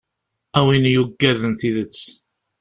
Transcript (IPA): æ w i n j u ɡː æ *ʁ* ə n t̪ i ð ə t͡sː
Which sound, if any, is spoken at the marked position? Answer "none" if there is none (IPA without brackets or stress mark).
ð